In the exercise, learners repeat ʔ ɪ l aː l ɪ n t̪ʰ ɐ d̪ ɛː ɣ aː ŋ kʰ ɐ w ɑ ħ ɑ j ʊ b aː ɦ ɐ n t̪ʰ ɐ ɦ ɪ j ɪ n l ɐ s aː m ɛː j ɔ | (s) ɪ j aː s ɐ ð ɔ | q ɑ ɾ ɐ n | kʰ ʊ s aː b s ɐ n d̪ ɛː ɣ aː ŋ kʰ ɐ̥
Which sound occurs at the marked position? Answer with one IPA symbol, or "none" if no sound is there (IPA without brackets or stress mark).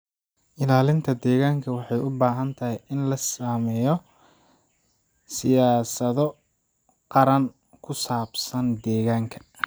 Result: s